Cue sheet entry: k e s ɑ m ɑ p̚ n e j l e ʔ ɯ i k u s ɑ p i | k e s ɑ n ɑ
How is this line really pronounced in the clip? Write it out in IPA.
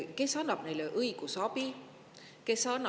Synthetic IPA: k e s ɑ n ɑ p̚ n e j l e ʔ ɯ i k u s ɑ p i | k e s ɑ n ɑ